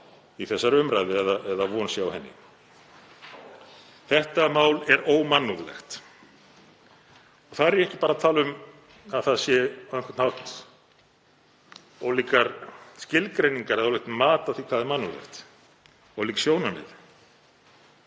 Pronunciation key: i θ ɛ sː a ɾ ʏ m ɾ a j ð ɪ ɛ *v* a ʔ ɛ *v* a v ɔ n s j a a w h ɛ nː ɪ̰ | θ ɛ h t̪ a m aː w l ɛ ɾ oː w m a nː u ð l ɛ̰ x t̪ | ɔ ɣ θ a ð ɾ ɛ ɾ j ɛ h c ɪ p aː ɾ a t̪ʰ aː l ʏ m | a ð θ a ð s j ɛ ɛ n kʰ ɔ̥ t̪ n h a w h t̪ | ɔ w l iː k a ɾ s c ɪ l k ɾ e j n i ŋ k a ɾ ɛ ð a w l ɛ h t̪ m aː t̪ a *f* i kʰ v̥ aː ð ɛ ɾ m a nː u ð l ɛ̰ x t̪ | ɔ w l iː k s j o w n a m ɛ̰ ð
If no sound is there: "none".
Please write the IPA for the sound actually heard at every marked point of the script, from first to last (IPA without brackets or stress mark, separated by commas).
ð, ð, θ